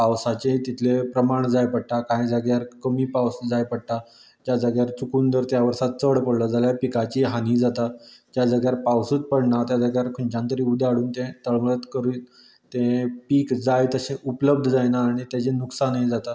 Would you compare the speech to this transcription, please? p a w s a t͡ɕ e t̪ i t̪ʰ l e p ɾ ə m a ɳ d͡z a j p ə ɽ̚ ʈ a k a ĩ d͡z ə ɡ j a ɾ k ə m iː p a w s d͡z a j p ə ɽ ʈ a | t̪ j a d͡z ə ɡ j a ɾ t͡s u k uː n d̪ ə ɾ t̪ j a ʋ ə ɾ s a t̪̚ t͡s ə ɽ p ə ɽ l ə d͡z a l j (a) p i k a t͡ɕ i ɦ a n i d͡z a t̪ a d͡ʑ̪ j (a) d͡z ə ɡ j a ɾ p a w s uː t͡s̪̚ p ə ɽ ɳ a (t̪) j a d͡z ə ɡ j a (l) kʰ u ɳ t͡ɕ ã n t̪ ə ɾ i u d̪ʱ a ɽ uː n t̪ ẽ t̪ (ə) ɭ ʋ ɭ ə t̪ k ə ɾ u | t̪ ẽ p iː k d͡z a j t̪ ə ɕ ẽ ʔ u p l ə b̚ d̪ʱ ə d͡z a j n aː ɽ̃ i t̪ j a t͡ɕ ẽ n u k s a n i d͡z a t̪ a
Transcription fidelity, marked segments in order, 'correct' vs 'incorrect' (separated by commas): correct, correct, correct, incorrect, correct